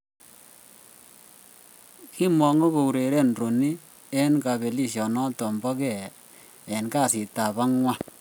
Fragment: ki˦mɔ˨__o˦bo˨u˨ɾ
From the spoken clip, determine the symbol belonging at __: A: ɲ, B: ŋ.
B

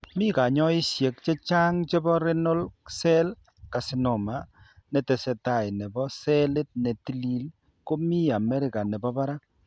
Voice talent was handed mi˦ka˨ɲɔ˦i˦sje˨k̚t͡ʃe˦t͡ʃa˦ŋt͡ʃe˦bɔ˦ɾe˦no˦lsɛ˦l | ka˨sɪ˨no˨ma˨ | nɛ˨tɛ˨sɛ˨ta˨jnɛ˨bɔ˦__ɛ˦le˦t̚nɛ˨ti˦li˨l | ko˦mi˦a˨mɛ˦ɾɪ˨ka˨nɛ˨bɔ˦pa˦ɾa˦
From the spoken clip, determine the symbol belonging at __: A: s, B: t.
A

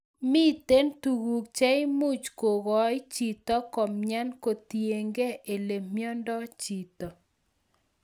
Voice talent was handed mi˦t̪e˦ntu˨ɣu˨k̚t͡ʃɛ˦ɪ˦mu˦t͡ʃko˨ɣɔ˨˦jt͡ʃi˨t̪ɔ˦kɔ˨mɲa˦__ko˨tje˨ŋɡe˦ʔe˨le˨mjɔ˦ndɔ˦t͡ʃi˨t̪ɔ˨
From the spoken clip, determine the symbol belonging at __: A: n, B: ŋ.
A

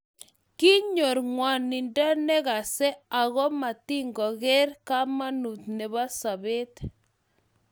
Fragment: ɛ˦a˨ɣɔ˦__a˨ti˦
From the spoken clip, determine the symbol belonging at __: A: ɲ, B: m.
B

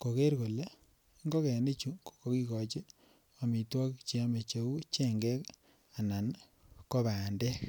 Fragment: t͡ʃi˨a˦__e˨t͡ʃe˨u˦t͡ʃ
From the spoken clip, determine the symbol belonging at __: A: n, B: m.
B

